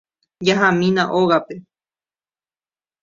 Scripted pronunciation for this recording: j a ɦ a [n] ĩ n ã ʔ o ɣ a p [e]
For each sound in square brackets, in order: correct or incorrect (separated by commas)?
incorrect, correct